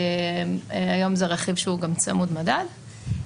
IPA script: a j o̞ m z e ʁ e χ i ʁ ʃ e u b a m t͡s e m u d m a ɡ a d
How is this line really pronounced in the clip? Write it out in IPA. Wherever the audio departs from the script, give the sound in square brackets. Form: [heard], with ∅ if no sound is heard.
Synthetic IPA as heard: a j o̞ m z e ʁ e χ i [v] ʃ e u [ɡ] a m t͡s [a] m u d m a [d] a d